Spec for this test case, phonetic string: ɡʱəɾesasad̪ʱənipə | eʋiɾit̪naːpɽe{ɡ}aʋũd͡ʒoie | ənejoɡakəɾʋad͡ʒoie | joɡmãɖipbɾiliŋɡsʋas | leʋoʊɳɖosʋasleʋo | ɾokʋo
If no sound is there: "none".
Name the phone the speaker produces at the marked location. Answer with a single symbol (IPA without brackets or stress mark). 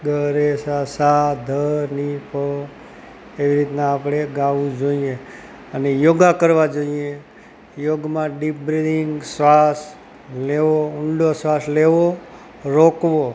ɡ